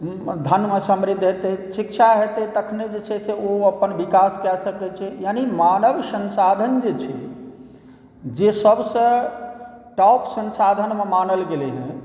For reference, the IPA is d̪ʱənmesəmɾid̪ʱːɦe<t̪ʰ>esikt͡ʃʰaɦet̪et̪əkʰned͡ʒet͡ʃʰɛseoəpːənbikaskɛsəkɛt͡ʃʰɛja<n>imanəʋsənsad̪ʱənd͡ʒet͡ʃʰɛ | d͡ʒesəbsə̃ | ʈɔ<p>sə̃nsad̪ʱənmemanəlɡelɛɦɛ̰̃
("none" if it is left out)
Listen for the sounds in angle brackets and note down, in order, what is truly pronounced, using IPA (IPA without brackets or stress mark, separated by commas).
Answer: t̪, n, p